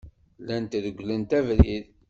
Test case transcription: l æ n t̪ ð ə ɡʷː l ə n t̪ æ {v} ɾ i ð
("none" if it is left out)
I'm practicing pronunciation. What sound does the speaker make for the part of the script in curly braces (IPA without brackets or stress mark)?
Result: v